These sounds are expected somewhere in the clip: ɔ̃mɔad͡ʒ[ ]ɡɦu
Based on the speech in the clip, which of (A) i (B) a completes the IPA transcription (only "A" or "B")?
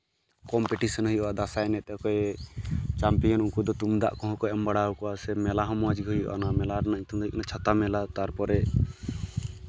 A